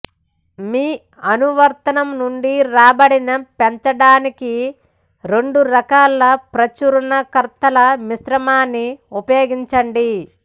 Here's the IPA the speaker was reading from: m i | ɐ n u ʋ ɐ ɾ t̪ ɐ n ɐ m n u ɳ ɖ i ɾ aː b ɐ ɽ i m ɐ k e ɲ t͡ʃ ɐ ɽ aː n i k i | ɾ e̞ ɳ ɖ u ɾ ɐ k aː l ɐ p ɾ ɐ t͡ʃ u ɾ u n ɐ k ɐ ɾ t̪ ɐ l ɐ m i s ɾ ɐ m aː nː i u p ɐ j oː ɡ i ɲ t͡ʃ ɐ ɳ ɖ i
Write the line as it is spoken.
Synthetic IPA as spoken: m iː | ɐ n u ʋ ɐ ɾ t̪ ɐ n ɐ m n u ɳ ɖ i ɾ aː b ɐ ɽ i n ɐ p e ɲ t͡ʃ ɐ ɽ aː n i k i | ɾ e̞ ɳ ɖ u ɾ ɐ k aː l ɐ p ɾ ɐ t͡ʃ u ɾ u n ɐ k ɐ ɾ t̪ ɐ l ɐ m i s ɾ ɐ m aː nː i u p ɐ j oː ɡ i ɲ t͡ʃ ɐ ɳ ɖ i